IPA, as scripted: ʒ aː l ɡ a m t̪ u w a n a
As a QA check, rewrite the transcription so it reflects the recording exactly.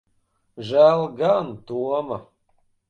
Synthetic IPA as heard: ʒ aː l ɡ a n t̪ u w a m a